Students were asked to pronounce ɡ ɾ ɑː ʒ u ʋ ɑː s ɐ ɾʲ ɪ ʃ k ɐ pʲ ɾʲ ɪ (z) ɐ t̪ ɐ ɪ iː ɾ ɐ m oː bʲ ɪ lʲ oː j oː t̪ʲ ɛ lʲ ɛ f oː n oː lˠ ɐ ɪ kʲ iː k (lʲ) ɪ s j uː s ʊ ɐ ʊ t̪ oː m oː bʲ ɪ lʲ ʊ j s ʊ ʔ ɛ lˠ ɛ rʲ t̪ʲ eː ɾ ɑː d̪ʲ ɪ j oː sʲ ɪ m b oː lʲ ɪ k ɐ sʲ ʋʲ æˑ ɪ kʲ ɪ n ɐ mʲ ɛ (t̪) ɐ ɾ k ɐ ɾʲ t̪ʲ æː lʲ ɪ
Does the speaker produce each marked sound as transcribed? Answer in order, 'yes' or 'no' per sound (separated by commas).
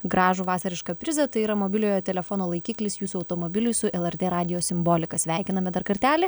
yes, yes, no